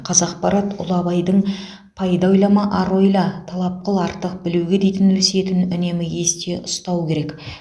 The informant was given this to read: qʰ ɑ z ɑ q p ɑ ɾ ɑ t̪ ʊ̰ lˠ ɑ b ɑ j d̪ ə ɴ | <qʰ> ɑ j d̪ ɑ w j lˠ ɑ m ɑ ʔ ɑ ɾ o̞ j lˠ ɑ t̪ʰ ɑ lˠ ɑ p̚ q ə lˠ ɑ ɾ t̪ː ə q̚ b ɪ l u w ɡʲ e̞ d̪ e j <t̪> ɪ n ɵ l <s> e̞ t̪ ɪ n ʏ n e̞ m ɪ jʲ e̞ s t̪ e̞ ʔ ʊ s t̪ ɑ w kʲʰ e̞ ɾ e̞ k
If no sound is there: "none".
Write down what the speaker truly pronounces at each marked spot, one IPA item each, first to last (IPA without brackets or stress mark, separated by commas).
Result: pʰ, t̪, s